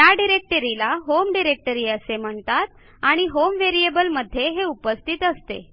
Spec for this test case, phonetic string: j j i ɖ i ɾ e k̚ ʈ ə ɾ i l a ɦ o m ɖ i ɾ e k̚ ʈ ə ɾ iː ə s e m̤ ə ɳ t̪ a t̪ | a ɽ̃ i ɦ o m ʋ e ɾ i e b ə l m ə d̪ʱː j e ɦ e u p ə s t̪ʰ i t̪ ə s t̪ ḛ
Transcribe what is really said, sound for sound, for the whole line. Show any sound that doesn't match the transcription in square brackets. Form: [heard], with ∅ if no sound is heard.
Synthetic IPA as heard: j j [a] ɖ i ɾ e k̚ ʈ ə ɾ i l a ɦ o m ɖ i ɾ e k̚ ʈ ə ɾ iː ə s e m̤ ə ɳ t̪ a t̪ | a ɽ̃ i ɦ o m ʋ e ɾ i e b ə l m ə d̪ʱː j e ɦ e u p ə s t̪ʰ i t̪ ə s t̪ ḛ

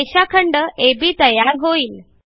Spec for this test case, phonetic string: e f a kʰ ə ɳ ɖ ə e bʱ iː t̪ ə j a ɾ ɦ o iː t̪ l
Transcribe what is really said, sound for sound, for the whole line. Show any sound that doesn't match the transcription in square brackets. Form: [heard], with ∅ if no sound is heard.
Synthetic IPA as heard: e [ɕ] a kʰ ə ɳ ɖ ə e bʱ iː t̪ ə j a ɾ ɦ o iː [∅] l

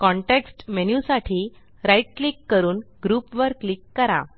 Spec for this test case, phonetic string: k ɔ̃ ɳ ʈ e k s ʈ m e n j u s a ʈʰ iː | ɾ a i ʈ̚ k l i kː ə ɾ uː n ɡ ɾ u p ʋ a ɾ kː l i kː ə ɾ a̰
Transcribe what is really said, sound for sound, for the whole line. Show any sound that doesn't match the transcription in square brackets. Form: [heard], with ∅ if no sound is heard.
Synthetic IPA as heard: k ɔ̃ ɳ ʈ e k s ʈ m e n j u s a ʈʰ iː | ɾ a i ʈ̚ k l i kː ə ɾ uː n ɡ ɾ u p ʋ [ə] ɾ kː l i kː ə ɾ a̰

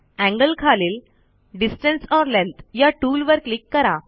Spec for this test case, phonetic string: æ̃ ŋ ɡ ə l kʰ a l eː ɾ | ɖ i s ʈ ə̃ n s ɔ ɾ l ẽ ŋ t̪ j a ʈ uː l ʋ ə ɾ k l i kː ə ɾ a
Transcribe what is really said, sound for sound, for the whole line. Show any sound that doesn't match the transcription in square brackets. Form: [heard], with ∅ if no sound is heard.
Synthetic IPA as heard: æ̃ ŋ ɡ ə l kʰ a l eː [l] | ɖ i s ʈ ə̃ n s ɔ ɾ l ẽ [n] t̪ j a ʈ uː l ʋ ə ɾ k l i kː ə ɾ a

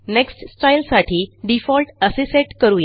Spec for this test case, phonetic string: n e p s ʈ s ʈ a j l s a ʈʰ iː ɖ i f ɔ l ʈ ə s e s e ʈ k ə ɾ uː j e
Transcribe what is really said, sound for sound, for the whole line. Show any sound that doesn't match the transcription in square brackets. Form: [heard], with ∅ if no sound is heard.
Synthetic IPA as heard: n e [k] s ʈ s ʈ a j l s a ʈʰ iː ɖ i f ɔ l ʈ ə s e s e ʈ k ə ɾ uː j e

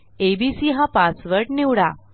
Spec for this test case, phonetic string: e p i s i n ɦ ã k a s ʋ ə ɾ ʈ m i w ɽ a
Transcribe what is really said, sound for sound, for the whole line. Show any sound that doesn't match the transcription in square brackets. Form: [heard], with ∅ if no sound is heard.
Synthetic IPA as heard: e [b] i s i [∅] ɦ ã [p] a s ʋ ə ɾ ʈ [n] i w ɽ a

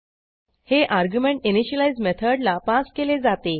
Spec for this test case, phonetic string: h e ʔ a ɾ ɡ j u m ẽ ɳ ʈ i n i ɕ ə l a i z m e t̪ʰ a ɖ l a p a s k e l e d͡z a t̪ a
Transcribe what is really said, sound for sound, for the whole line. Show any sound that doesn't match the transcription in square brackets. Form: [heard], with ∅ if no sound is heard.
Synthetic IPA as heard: h e ʔ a ɾ ɡ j u m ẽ ɳ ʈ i n i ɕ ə l a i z m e t̪ʰ [ə] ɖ l a p a s k e l e d͡z a t̪ [e]

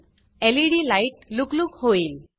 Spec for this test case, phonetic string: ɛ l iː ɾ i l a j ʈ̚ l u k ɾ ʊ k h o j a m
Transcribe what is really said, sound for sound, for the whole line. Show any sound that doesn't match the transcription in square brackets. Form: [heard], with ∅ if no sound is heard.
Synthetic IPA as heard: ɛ l [i] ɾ i l a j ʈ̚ l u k [l] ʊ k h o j [i] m

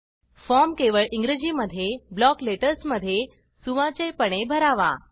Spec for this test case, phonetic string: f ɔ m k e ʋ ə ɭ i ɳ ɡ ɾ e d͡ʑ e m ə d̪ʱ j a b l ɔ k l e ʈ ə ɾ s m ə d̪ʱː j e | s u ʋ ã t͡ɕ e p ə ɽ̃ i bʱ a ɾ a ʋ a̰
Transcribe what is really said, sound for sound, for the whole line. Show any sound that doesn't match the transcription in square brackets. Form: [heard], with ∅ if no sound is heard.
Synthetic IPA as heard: f ɔ m k e ʋ ə ɭ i [ŋ] ɡ ɾ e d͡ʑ [i] m ə d̪ʱ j [e] b l ɔ k l e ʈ ə ɾ s m ə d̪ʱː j e | s u ʋ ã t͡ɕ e p ə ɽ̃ [e] bʱ [ə] ɾ a ʋ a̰

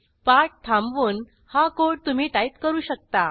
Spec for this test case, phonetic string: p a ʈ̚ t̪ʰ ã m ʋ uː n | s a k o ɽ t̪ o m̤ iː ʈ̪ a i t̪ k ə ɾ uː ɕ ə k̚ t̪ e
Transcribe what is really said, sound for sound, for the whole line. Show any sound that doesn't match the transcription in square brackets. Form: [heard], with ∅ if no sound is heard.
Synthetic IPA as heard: p a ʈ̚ t̪ʰ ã m ʋ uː n | [h] a k o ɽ t̪ [u] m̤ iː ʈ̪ a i t̪ k ə ɾ uː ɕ ə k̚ t̪ [a]

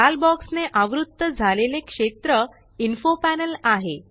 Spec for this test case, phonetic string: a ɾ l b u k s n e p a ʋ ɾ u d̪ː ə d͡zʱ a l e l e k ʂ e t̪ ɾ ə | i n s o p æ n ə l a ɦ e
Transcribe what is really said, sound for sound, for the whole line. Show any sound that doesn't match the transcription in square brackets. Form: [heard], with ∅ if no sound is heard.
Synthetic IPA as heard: a [∅] l b [ɔ] k s n e [ʔ] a ʋ ɾ u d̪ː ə d͡zʱ a l e l e k ʂ e t̪ ɾ ə | i n [f] o p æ n ə l a ɦ e

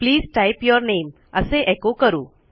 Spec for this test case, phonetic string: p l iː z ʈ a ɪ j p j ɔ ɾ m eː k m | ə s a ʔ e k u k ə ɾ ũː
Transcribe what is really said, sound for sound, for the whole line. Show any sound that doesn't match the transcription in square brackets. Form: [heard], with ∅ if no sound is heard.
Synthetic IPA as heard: p l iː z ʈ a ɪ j p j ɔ ɾ [n] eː [∅] m | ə s [e] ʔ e k [o] k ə ɾ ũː

